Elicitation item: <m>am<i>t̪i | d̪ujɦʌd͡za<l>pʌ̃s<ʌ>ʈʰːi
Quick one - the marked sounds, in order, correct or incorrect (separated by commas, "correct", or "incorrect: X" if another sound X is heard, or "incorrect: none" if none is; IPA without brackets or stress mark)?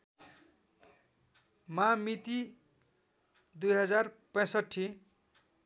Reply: correct, correct, incorrect: r, correct